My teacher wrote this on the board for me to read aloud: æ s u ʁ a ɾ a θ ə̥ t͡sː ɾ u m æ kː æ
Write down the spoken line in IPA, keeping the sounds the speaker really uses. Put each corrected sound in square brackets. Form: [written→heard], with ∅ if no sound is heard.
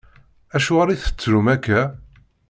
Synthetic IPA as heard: æ [s→ʃ] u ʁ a ɾ [a→i] θ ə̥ t͡sː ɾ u m æ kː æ